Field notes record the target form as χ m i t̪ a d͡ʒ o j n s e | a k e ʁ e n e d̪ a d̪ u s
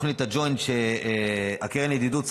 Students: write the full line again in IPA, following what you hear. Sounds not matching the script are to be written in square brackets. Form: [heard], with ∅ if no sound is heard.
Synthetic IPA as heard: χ [n] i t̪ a d͡ʒ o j n [ʃ] e | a k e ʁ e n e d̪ [i] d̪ u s

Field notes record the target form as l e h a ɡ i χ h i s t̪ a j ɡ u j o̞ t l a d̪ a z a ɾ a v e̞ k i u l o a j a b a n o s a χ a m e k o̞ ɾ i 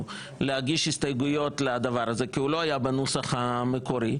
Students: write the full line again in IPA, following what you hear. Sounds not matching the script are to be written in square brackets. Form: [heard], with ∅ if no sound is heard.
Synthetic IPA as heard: l e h a ɡ i [ʃ] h i s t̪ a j ɡ u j o̞ t l a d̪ a [v] a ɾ a [z] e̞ k i u l o a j a b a n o s a χ a m e k o̞ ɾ i

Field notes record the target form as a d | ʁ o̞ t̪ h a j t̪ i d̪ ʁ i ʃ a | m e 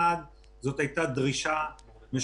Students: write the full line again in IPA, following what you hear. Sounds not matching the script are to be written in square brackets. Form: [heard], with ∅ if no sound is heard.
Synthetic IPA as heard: a d | [z] o̞ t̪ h a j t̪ [a] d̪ ʁ i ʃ a | m e

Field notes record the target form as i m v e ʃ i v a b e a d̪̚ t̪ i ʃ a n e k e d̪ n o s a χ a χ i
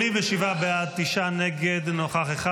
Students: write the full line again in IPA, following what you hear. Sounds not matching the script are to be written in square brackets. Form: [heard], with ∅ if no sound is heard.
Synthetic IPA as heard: i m v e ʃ i v a b e a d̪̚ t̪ i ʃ a n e [ɡ] e d̪ n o [χ] a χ [e] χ [a]

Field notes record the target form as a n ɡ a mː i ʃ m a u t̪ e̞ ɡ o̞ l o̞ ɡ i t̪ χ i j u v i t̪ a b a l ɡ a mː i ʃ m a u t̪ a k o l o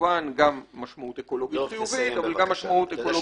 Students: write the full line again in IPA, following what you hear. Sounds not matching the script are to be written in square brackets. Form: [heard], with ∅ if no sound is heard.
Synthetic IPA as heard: a n ɡ a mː [a] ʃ m a u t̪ e̞ [k] o̞ l o̞ ɡ i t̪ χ i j u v i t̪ a [v] a l ɡ a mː [a] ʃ m a u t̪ [e] k o l o

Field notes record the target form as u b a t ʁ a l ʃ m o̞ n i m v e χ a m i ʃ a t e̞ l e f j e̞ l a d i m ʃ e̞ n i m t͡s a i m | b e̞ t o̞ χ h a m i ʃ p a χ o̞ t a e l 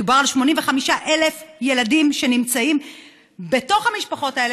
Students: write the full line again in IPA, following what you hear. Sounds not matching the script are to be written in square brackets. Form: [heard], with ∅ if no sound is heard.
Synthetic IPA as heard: u b a [∅] ʁ a l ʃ m o̞ n i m v e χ a m i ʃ a [ʔ] e̞ l e f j e̞ l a d i m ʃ e̞ n i m t͡s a i m | b e̞ t o̞ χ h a m i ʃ p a χ o̞ t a e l

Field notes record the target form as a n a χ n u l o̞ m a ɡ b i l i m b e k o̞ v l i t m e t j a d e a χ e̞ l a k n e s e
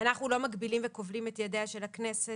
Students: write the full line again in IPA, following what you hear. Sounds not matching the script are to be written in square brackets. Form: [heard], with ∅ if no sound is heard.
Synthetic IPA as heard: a n a χ n u l o̞ m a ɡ b i l i m [v] e k o̞ v l i [∅] m e t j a d e a [ʃ] e̞ l a k n e s e

